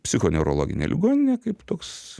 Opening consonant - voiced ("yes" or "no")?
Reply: no